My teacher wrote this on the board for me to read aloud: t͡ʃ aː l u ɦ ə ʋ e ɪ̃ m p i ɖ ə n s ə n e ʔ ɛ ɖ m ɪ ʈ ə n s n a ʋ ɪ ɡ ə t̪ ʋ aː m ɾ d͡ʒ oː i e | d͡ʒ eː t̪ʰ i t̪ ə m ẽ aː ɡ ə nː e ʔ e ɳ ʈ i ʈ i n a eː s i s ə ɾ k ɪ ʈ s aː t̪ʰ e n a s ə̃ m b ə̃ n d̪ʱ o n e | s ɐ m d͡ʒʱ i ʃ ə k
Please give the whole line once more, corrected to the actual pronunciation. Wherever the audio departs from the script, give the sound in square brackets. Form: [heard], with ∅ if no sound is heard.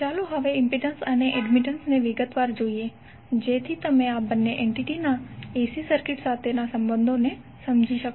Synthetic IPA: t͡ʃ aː l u ɦ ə ʋ e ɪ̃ m p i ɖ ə n s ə n e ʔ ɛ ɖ m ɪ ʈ ə n s n [e] ʋ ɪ ɡ ə t̪ ʋ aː [∅] ɾ d͡ʒ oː i e | d͡ʒ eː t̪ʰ i t̪ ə m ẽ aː [b] ə nː e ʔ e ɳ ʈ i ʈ i n a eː s i s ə ɾ k ɪ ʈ s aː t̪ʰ e n a s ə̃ m b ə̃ n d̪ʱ o n e | s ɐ m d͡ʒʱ i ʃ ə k